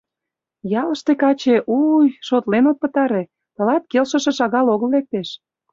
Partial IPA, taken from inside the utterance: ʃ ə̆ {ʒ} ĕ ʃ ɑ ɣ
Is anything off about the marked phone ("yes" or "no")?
yes